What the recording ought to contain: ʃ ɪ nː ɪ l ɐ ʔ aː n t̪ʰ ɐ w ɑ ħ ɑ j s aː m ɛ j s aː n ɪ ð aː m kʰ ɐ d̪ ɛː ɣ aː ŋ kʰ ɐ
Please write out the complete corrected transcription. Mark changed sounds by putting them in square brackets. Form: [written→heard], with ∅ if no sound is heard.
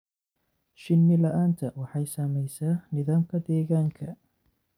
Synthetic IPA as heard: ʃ ɪ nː ɪ l ɐ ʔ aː n t̪ʰ ɐ w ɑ ħ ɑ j s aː m ɛ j s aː n ɪ ð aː m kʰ ɐ d̪ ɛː ɣ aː ŋ kʰ ɐ